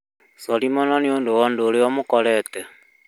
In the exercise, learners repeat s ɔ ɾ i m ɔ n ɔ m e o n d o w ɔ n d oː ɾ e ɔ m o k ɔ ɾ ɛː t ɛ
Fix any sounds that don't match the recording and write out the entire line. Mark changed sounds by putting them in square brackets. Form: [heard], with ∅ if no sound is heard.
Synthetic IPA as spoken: s ɔ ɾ i m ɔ n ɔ [n] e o n d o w ɔ n d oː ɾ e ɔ m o k ɔ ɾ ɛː t ɛ